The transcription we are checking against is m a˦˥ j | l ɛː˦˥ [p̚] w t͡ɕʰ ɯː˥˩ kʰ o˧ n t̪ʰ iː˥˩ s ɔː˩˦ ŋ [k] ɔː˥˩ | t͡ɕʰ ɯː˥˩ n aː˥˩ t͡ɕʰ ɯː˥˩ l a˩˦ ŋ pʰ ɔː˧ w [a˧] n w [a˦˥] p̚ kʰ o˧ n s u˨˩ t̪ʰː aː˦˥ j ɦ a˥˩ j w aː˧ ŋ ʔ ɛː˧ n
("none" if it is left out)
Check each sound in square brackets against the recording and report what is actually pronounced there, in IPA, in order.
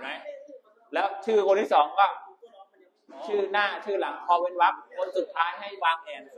none, k, e˧, a˦˥

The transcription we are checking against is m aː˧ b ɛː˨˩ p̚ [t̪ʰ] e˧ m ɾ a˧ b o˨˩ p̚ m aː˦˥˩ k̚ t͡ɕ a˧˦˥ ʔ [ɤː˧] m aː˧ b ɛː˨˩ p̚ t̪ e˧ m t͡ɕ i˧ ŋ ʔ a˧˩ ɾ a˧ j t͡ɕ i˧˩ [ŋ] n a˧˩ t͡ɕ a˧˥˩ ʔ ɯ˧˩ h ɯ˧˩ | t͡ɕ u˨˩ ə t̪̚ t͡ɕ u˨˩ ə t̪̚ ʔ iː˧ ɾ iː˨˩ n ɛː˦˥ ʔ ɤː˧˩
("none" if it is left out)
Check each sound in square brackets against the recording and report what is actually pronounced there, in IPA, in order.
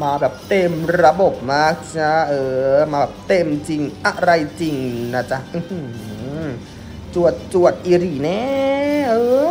t̪, ɤː˧, ŋ

